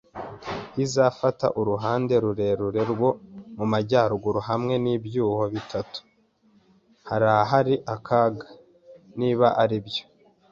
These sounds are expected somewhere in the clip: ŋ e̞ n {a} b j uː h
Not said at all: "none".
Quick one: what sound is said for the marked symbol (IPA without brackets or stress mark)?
i